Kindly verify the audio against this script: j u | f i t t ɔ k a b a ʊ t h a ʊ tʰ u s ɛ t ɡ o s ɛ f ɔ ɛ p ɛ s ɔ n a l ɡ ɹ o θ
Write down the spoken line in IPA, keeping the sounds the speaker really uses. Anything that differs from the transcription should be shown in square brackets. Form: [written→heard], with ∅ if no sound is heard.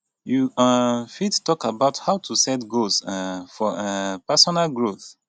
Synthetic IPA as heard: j u | f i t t ɔ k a b a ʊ t h a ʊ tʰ u s ɛ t ɡ o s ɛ f ɔ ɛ p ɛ s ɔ n a l ɡ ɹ o θ